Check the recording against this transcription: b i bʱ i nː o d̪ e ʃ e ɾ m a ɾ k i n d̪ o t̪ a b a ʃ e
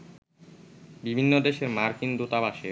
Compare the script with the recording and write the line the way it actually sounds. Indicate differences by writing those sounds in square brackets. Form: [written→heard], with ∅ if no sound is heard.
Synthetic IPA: b i bʱ i nː o d̪ e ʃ e ɾ m a ɾ k i n d̪ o t̪ a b a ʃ e